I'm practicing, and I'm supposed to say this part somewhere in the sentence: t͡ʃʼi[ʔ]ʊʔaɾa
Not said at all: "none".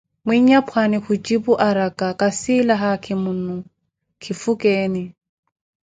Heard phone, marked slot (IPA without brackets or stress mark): p